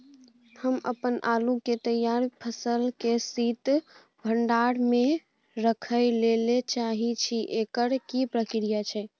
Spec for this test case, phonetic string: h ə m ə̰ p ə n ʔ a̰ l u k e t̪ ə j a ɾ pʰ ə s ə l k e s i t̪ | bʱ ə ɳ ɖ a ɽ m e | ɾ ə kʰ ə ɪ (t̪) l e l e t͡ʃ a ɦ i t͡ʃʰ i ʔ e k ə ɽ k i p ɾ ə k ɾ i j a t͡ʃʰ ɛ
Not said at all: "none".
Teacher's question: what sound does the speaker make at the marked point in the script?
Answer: none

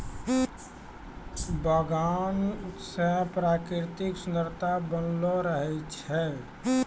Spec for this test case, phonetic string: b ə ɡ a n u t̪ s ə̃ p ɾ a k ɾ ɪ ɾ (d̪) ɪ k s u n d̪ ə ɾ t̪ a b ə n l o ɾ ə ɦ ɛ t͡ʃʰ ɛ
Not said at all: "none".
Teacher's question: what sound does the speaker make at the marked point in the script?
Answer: t̪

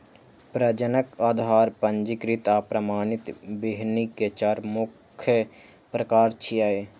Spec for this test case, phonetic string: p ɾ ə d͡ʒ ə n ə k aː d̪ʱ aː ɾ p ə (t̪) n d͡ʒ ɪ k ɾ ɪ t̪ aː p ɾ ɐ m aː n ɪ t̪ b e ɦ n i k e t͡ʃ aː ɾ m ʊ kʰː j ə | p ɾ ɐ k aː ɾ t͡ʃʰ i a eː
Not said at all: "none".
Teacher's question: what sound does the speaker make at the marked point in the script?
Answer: none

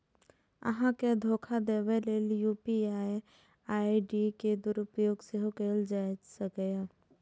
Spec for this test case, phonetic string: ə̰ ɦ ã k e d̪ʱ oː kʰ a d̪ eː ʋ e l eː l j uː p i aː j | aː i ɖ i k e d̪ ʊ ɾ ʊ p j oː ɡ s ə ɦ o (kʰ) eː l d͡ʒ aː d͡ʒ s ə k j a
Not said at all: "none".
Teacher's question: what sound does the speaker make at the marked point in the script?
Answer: k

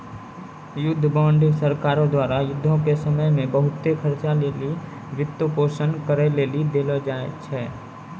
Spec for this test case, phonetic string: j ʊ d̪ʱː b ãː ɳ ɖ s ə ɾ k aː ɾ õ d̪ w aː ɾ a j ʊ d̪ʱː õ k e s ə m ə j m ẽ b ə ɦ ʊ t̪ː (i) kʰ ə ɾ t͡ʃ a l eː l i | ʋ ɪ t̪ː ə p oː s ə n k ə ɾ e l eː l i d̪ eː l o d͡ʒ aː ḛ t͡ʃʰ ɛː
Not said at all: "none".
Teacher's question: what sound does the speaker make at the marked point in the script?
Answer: e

